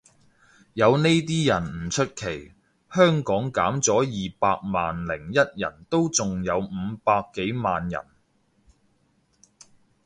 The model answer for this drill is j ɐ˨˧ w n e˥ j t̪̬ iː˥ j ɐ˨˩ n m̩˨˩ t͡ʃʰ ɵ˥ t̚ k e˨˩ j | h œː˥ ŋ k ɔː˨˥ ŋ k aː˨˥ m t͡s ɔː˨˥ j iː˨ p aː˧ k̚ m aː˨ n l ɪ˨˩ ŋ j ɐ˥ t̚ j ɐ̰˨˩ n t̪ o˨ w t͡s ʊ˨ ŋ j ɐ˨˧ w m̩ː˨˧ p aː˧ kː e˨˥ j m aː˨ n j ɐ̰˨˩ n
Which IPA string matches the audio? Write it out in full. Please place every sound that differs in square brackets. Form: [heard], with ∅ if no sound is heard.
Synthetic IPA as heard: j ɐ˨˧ w n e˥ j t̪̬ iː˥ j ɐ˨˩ n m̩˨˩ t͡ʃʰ ɵ˥ t̚ [kʰ] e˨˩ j | h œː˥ ŋ k ɔː˨˥ ŋ k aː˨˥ m t͡s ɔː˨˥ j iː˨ p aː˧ k̚ m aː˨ n l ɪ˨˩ ŋ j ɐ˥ t̚ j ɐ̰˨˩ n t̪ [o˥] w t͡s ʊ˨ ŋ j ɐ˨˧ w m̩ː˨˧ p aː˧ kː e˨˥ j m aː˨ n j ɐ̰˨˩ n